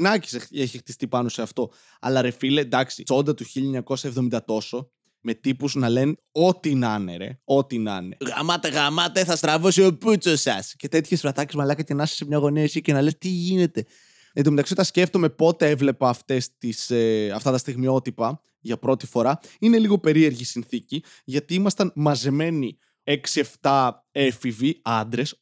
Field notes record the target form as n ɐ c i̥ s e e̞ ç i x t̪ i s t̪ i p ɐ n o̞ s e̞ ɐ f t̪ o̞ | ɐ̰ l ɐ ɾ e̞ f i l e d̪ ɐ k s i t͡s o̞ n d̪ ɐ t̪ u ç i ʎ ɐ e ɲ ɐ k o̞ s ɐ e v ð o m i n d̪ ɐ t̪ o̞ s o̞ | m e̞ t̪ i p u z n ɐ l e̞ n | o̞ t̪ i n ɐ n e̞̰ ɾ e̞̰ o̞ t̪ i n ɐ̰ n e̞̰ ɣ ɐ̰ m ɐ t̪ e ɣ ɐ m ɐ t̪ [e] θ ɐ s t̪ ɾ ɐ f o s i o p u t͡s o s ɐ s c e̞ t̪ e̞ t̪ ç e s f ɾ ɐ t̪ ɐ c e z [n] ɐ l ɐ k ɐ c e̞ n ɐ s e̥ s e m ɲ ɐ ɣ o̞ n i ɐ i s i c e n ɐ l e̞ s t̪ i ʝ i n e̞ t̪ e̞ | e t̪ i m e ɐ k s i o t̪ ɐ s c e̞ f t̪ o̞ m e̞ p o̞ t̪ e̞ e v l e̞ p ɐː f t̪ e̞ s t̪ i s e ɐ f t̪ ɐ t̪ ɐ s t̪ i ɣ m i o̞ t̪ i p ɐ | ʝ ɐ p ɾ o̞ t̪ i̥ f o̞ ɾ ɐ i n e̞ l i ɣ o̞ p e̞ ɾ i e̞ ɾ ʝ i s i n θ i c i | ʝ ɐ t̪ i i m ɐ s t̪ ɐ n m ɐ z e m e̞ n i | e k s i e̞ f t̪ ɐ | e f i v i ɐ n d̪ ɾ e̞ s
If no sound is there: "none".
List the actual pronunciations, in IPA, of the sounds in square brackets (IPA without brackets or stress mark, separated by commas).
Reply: e, m